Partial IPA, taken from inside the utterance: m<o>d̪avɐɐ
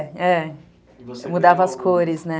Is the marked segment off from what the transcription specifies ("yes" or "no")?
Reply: yes